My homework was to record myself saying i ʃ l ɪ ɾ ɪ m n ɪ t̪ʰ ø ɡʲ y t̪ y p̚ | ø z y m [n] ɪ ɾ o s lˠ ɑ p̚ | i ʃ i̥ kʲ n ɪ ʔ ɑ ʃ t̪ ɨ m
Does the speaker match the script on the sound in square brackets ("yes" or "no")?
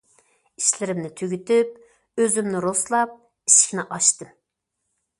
yes